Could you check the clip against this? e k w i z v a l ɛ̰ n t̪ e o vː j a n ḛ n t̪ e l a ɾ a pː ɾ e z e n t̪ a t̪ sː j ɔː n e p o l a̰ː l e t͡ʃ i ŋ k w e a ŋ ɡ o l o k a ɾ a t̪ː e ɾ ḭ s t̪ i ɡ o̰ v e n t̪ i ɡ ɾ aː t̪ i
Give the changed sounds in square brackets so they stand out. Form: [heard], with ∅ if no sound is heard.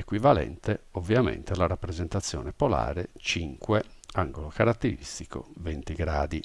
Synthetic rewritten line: e k w i [∅] v a l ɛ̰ n t̪ e o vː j a [m] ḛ n t̪ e l a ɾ a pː ɾ e z e n t̪ a t̪ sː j ɔː n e p o l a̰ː [ɾ] e t͡ʃ i ŋ k w e a ŋ ɡ o l o k a ɾ a t̪ː e ɾ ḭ s t̪ i [k] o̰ v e n t̪ i ɡ ɾ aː [d̪] i

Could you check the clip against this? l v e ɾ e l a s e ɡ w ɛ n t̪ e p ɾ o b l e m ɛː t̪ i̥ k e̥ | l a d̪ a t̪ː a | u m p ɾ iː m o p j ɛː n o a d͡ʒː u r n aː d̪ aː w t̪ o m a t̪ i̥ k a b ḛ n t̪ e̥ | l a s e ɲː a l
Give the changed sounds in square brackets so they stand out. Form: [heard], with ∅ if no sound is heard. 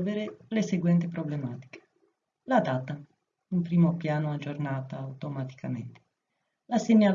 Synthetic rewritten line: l v e ɾ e l [e] s e ɡ w ɛ n t̪ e p ɾ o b l e m [aː] t̪ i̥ k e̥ | l a d̪ a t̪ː a | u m p ɾ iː m o p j [aː] n o a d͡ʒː [o] r n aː [t̪] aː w t̪ o m a t̪ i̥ k a [m] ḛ n t̪ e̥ | l a s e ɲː a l

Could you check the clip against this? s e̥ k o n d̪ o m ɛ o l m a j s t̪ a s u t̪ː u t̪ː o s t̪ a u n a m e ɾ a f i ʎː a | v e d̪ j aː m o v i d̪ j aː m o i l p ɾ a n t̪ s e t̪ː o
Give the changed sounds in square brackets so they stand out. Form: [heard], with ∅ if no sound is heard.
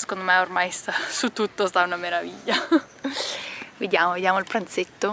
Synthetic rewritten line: s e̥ k o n d̪ o m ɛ o [r] m a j s t̪ a s u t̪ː u t̪ː o s t̪ a u n a m e ɾ a [v] i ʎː a | v e d̪ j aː m o v [e] d̪ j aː m o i l p ɾ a n t̪ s e t̪ː o

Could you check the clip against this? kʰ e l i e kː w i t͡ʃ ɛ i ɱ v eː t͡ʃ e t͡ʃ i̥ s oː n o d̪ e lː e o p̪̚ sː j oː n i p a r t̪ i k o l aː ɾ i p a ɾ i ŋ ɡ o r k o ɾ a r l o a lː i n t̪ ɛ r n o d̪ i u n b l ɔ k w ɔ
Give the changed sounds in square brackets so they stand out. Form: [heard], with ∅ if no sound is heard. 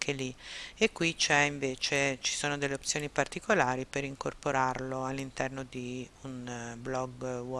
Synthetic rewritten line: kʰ e l i e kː w i t͡ʃ ɛ i ɱ v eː t͡ʃ e t͡ʃ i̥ s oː n o d̪ e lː e o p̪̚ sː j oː n i p a r t̪ i k o l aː ɾ i p [e] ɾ i ŋ [k] o r [p] o ɾ a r l o a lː i n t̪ ɛ r n o d̪ i u n b l ɔ [ɡ] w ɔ

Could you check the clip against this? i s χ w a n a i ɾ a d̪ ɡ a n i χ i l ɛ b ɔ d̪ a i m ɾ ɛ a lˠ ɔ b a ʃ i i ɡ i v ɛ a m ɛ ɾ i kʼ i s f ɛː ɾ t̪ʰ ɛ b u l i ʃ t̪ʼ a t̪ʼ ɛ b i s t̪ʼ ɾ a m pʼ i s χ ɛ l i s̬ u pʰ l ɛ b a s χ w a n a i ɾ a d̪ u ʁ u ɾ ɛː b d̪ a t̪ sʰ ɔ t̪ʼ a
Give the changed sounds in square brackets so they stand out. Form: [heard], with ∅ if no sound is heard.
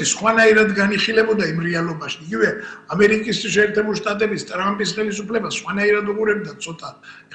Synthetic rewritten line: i s χ w a n a i ɾ a d̪ ɡ a n i χ i l ɛ b ɔ d̪ a i m ɾ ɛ a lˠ ɔ b a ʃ i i ɡ i v ɛ a m ɛ ɾ i kʼ i s [ʃ] ɛː ɾ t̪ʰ ɛ b u l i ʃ t̪ʼ a t̪ʼ ɛ b i s t̪ʼ ɾ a m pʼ i s χ ɛ l i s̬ u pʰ l ɛ b a s χ w a n a i ɾ a d̪ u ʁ u ɾ [ɛ] b d̪ a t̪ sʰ ɔ t̪ʼ a

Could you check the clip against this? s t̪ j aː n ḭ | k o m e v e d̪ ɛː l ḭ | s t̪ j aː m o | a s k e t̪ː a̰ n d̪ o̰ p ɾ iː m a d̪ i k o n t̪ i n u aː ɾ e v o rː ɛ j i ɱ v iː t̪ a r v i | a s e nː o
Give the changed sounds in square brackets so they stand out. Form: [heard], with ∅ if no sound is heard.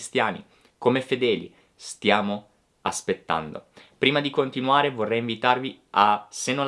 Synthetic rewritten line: s t̪ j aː n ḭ | k o m e [f] e d̪ ɛː l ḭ | s t̪ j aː m o | a s [p] e t̪ː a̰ n d̪ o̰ p ɾ iː m a d̪ i k o n t̪ i n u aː ɾ e v o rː ɛ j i ɱ v [i] t̪ a r v i | a s e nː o

